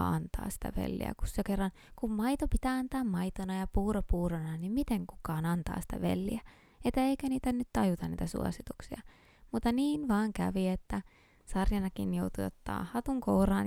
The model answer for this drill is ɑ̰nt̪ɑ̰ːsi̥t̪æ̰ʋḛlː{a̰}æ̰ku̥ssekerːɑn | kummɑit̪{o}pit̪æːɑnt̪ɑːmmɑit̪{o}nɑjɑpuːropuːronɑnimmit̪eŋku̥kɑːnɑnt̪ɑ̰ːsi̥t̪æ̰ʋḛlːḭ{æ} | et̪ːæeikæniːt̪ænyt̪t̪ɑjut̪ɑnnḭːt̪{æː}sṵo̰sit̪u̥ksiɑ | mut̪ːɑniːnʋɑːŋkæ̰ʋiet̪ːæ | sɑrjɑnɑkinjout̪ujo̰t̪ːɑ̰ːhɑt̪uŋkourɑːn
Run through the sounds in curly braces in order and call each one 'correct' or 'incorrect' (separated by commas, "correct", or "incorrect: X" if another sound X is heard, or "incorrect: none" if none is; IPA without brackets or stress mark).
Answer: incorrect: ḭ, correct, correct, correct, incorrect: æ